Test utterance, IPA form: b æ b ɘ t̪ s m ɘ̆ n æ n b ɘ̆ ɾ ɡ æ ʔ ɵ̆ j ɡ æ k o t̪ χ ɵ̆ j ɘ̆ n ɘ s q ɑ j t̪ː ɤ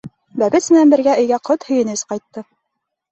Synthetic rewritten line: b æ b ɘ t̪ s m ɘ̆ n æ n b ɘ̆ ɾ ɡ æ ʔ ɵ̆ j ɡ æ q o t̪ h ɵ̆ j ɘ̆ n ɘ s q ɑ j t̪ː ɤ